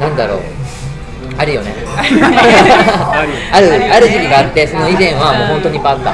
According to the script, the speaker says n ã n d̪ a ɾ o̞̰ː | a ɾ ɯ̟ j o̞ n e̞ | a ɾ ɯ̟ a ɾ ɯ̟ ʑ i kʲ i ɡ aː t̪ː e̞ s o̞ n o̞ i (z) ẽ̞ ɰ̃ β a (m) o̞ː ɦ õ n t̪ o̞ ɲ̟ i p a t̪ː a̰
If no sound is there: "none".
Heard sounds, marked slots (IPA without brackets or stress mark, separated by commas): z, m